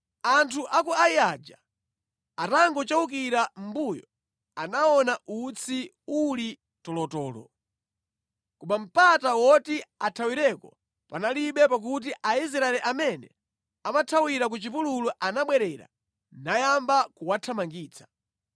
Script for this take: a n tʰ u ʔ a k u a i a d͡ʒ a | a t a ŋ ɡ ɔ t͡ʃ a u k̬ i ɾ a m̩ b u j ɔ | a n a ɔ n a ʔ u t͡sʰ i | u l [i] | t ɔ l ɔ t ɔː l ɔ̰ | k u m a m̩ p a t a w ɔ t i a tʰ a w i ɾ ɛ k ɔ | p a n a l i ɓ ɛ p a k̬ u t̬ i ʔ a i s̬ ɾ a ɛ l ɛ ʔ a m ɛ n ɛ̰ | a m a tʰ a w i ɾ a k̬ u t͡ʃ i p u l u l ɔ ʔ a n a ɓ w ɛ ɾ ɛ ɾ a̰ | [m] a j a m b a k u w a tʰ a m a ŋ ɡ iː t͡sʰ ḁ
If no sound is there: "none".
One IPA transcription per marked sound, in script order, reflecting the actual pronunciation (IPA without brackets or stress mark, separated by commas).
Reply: i, n